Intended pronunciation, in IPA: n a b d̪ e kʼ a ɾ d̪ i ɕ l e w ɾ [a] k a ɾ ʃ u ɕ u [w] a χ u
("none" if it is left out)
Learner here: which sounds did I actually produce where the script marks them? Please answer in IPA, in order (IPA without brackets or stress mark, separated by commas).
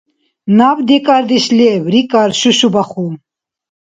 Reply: i, b